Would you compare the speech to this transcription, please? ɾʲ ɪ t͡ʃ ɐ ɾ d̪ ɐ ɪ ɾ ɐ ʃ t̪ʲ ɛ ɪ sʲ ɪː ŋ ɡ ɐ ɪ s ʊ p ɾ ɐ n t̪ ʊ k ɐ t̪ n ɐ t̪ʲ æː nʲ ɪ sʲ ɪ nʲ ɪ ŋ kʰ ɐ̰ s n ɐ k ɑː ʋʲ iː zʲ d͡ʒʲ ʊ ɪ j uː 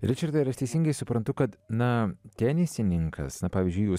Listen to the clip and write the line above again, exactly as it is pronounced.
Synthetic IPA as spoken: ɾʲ ɪ t͡ʃ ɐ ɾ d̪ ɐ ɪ ɾ ɐ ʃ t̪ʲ ɛ ɪ sʲ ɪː ŋ ɡ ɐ ɪ s ʊ p ɾ ɐ n t̪ ʊ k ɐ t̪ n ɐ t̪ʲ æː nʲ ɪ sʲ ɪ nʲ ɪ ŋ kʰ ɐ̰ s n ɐ p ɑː ʋʲ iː zʲ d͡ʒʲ ʊ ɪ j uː